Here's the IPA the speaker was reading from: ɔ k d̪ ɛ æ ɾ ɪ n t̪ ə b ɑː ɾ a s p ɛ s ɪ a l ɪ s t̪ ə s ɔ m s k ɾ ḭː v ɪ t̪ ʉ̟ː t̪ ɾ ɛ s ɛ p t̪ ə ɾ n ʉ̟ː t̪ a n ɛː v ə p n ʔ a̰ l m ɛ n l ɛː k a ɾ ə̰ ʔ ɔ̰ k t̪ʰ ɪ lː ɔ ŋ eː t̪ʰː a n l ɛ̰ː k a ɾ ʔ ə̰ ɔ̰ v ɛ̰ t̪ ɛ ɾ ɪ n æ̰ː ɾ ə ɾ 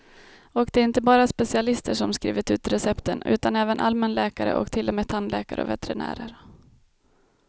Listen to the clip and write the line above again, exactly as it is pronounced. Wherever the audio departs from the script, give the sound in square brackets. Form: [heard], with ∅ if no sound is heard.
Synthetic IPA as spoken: ɔ k d̪ ɛ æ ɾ ɪ n t̪ ə b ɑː ɾ a s p ɛ s ɪ a l ɪ s t̪ ə [ʂ] ɔ m s k ɾ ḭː v ɪ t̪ ʉ̟ː t̪ ɾ ɛ s ɛ p t̪ ə [∅] n ʉ̟ː t̪ a n ɛː v ə [∅] n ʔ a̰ l m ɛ n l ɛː k a ɾ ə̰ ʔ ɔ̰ k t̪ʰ ɪ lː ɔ [m] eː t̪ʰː a n l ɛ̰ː k a ɾ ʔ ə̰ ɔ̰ v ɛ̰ t̪ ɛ ɾ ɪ n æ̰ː ɾ ə ɾ